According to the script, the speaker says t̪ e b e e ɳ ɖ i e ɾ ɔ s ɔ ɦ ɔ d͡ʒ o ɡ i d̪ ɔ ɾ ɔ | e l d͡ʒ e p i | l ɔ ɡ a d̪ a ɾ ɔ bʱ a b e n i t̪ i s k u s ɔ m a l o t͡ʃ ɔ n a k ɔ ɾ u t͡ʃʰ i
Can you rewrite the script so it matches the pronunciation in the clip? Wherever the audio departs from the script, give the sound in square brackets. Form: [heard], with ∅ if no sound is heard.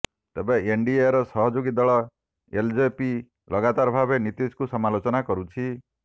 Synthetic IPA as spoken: t̪ e b e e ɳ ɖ i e ɾ ɔ s ɔ ɦ ɔ d͡ʒ o ɡ i d̪ ɔ [ɭ] ɔ | e l d͡ʒ e p i | l ɔ ɡ a [t̪] a ɾ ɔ bʱ a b e n i t̪ i s k u s ɔ m a l o t͡ʃ ɔ n a k ɔ ɾ u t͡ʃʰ i